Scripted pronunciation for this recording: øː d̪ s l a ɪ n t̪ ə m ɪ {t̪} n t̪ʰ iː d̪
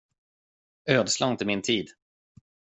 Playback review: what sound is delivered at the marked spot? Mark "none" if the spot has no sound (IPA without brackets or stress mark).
none